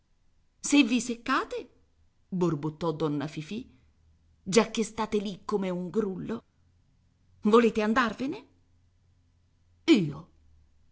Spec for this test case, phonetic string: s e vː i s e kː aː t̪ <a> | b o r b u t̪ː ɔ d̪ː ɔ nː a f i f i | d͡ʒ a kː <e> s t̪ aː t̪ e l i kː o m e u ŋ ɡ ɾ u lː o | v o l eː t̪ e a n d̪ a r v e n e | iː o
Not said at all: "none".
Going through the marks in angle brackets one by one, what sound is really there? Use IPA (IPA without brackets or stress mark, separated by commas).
e, e